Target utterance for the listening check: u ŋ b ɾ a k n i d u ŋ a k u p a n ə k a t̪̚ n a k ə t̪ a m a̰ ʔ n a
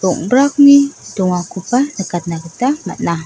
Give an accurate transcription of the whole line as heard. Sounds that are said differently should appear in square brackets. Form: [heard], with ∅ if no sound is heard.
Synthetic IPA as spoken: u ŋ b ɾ a k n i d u ŋ a k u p a n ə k a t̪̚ n a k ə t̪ a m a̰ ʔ n a